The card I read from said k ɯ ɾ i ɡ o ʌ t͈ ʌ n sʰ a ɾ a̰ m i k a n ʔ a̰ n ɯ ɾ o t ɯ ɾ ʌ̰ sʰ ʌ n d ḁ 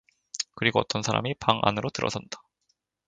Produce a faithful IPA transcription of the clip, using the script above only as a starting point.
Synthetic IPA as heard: k ɯ ɾ i ɡ o ʌ t͈ ʌ n sʰ a ɾ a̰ m i p a ŋ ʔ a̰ n ɯ ɾ o t ɯ ɾ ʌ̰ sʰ ʌ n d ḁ